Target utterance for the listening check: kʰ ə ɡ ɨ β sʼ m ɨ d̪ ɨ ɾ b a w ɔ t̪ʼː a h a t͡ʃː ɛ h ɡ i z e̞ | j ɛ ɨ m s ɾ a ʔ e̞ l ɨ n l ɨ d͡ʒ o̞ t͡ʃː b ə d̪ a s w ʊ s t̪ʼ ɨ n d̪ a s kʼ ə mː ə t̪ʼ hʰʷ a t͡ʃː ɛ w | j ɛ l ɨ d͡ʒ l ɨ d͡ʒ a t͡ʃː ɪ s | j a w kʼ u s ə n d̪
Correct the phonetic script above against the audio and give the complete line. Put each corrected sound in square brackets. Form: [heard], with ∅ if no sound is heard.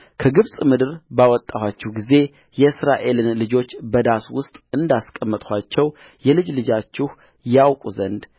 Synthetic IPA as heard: kʰ ə ɡ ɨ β sʼ m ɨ d̪ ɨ ɾ b a w ɔ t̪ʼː a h a t͡ʃː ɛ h ɡ i z e̞ | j ɛ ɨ [∅] s ɾ a ʔ e̞ l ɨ n l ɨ d͡ʒ o̞ t͡ʃː b ə d̪ a s w ʊ s t̪ʼ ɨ n d̪ a s kʼ ə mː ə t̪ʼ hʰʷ a t͡ʃː ɛ w | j ɛ l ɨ d͡ʒ l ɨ d͡ʒ a t͡ʃː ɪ [h] | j a w kʼ u [z] ə n d̪

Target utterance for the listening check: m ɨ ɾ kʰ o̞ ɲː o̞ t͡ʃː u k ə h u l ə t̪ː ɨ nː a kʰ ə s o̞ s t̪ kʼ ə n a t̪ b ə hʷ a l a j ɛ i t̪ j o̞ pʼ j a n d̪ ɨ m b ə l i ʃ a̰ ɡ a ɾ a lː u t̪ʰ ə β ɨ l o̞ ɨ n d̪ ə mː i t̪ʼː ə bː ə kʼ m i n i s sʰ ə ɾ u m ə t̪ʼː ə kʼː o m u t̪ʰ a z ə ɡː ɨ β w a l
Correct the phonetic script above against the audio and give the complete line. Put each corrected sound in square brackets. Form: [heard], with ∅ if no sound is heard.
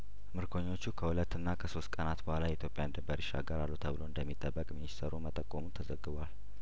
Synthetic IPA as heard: m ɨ ɾ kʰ o̞ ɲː o̞ t͡ʃː u [kʰ] ə h u l ə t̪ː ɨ nː a kʰ ə s o̞ s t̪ kʼ ə n a t̪ b ə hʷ a l a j ɛ i t̪ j o̞ pʼ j a n d̪ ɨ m b ə [ɾ] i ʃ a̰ ɡ [ə] ɾ a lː u t̪ʰ ə β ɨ l o̞ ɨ n d̪ ə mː i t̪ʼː ə bː ə kʼ m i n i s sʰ ə ɾ u m ə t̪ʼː ə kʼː o m u t̪ʰ [ə] z ə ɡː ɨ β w a l

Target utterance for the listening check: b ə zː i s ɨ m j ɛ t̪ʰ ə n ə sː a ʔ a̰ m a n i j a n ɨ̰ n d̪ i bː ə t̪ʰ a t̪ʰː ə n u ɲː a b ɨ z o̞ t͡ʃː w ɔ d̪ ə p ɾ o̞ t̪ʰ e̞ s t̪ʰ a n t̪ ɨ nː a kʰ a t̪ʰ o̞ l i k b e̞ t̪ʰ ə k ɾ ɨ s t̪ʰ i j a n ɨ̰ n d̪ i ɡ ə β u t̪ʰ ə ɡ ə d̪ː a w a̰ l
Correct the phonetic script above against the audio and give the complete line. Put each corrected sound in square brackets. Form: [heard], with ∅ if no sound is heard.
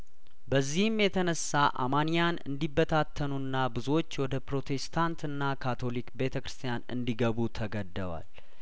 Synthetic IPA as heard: b ə zː i [h] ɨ m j ɛ t̪ʰ ə n ə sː a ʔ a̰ m a n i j a n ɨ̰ n d̪ i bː ə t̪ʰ a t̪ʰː ə n u [nː] a b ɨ z o̞ t͡ʃː w ɔ d̪ ə p ɾ o̞ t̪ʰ e̞ s t̪ʰ a n t̪ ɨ nː a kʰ a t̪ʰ o̞ l i k b e̞ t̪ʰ ə k ɾ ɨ s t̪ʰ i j a n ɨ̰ n d̪ i ɡ ə β u t̪ʰ ə ɡ ə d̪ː [ə] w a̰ l

